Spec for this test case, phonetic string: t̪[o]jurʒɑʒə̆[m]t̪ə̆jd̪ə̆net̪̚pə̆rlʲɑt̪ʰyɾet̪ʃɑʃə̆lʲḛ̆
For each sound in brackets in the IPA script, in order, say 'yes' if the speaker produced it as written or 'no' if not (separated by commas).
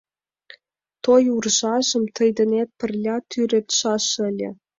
yes, yes